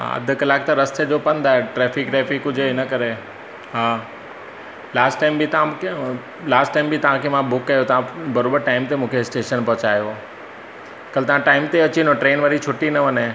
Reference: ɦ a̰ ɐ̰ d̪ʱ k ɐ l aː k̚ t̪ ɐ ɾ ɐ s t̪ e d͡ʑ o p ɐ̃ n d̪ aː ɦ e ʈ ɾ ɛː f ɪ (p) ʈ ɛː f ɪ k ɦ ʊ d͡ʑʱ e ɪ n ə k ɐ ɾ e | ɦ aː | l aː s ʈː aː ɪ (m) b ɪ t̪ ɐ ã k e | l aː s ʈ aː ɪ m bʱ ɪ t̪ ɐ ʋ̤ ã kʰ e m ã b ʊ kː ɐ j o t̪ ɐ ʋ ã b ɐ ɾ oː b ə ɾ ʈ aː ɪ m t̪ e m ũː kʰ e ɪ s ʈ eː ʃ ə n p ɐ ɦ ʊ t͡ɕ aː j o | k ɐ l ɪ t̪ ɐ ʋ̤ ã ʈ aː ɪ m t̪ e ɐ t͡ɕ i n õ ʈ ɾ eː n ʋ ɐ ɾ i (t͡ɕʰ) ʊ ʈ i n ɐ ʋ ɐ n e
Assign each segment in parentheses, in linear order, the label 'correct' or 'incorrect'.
incorrect, correct, correct

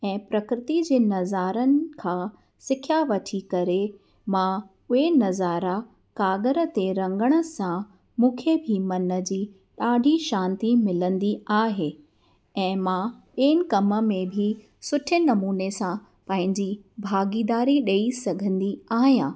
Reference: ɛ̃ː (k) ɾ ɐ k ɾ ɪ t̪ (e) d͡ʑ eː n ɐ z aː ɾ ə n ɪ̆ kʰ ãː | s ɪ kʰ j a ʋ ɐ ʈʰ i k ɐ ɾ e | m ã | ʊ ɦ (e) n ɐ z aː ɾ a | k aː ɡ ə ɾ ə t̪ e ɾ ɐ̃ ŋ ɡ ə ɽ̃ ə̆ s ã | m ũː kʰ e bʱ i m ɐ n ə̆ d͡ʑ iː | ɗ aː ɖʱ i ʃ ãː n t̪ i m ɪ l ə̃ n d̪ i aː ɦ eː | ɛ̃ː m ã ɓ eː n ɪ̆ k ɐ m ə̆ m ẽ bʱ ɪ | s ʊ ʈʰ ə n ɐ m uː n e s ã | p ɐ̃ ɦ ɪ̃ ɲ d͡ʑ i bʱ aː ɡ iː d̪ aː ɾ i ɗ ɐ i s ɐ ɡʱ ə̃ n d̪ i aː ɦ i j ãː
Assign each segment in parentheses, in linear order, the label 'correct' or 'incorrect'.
incorrect, incorrect, correct

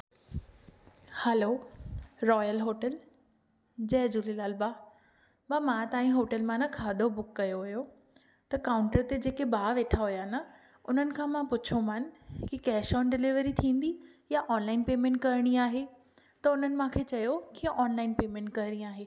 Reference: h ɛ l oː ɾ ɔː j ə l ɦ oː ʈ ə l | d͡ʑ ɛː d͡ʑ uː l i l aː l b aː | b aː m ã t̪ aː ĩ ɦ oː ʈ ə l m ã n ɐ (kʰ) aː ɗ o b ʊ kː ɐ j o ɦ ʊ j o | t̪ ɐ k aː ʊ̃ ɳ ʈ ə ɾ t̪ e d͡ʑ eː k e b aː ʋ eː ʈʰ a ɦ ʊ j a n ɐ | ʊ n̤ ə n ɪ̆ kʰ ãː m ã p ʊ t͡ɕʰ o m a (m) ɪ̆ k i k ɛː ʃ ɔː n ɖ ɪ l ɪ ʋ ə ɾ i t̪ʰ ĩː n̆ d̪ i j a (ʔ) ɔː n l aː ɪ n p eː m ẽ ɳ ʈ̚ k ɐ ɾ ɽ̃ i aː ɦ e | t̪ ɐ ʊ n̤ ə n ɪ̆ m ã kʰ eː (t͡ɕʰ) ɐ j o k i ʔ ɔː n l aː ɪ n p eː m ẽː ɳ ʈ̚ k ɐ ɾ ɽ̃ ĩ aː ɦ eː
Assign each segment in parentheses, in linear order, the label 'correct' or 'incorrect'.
correct, incorrect, correct, incorrect

